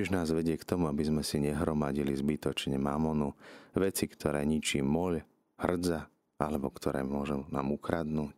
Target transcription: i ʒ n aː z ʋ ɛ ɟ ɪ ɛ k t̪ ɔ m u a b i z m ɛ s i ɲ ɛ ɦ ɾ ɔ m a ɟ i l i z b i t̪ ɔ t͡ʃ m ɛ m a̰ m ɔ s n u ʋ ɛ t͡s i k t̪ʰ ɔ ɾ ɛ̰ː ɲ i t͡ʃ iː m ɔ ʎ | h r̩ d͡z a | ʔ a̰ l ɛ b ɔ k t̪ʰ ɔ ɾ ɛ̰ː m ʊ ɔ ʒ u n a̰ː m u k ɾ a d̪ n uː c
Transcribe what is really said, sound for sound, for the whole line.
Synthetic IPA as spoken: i ʒ n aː z ʋ ɛ ɟ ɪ ɛ k t̪ ɔ m u a b i z m ɛ s i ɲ ɛ ɦ ɾ ɔ m a ɟ i l i z b i t̪ ɔ t͡ʃ ɲ ɛ m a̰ m ɔ n u ʋ ɛ t͡s i k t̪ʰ ɔ ɾ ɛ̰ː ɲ i t͡ʃ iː m ɔ ʎ | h r̩ d͡z a | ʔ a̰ l ɛ b ɔ k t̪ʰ ɔ ɾ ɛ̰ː m ʊ ɔ ʒ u n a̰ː m u k ɾ a d̪ n uː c